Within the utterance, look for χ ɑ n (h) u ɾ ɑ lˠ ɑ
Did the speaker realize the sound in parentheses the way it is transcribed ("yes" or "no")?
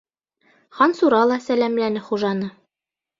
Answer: no